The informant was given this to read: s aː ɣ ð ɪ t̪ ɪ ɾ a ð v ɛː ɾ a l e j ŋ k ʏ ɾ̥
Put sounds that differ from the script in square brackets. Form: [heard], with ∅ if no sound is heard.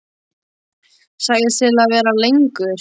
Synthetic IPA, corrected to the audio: s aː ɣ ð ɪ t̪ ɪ [l] a ð v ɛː ɾ a l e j ŋ k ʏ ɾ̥